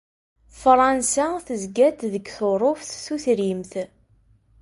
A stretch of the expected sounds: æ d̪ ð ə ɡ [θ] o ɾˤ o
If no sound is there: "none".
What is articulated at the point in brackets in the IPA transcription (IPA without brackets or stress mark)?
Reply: θ